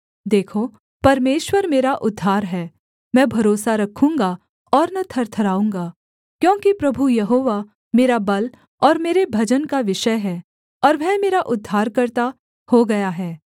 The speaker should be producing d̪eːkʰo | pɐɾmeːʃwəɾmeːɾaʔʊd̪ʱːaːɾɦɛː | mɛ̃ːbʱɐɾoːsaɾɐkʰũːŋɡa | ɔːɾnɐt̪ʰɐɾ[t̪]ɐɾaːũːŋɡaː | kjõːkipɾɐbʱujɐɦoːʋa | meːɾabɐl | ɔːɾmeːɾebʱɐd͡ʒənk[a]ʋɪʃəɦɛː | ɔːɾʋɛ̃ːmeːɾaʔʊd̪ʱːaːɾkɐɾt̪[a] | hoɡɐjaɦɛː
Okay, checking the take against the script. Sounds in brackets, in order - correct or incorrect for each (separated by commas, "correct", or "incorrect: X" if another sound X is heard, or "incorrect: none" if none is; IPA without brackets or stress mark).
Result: incorrect: t̪ʰ, correct, correct